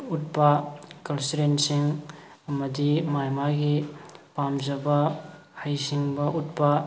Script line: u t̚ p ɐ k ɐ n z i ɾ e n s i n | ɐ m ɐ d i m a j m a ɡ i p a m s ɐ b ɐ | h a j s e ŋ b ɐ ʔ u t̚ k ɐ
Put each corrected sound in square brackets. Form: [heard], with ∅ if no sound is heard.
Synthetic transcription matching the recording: u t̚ p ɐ k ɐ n [s] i ɾ e n s i [ŋ] | ɐ m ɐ d i m a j m a ɡ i p a m [z] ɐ b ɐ | h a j s [i] ŋ b ɐ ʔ u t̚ [p] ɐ